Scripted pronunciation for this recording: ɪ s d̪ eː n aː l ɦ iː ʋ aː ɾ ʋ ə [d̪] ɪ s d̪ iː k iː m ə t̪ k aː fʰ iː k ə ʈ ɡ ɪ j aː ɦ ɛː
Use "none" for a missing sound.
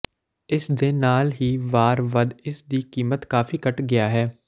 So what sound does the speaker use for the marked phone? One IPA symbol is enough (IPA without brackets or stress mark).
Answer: d̪